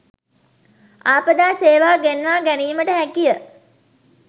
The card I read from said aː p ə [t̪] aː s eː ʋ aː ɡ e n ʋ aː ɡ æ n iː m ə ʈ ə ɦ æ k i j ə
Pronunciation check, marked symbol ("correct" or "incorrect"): incorrect